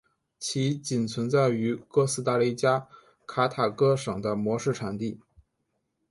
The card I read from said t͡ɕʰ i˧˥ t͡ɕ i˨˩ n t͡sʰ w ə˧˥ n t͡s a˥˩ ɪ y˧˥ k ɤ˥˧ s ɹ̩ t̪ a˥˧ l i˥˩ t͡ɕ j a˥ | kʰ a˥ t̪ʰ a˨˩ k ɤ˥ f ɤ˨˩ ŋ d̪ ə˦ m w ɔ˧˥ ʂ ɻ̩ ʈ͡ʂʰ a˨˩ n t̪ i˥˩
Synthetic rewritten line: t͡ɕʰ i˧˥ t͡ɕ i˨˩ n t͡sʰ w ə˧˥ n t͡s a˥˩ ɪ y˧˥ k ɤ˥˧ s ɹ̩ t̪ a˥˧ l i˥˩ t͡ɕ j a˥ | kʰ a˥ t̪ʰ a˨˩ k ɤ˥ ʂ ɤ˨˩ ŋ d̪ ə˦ m w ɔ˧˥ ʂ ɻ̩ ʈ͡ʂʰ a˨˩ n t̪ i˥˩